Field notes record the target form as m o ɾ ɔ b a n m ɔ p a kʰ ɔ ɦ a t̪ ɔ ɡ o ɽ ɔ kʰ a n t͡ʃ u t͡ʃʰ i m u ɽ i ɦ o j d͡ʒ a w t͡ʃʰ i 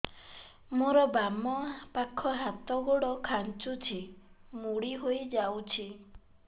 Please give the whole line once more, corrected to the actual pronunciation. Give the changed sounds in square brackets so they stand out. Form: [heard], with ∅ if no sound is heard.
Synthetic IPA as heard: m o ɾ ɔ b a [∅] m ɔ p a kʰ ɔ ɦ a t̪ ɔ ɡ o ɽ ɔ kʰ a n t͡ʃ u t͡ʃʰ i m u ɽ i ɦ o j d͡ʒ a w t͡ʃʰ i